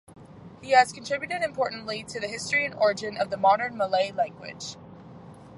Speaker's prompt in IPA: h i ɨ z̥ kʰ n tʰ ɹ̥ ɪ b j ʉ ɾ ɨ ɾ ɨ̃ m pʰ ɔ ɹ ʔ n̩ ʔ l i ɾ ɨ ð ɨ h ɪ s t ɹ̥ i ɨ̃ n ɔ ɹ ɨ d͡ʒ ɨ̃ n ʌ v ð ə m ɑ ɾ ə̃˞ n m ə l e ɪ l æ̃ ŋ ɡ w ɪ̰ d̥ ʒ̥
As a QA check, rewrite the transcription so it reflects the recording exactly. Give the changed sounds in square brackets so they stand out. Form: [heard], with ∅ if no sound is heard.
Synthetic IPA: h i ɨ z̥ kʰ n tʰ ɹ̥ ɪ b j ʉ ɾ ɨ ɾ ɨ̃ m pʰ ɔ ɹ ʔ n̩ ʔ l i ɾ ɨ ð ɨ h ɪ s t ɹ̥ i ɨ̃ n ɔ ɹ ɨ d͡ʒ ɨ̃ n ʌ v ð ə m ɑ ɾ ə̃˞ n m ə l e ɪ l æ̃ ŋ ɡ w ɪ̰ d̥ ʒ̥